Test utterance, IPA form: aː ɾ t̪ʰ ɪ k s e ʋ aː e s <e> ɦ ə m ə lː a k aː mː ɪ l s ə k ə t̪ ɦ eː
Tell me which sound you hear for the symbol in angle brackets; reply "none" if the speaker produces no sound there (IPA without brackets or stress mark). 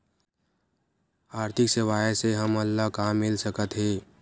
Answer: e